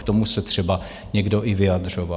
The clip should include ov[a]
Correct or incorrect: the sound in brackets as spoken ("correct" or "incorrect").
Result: correct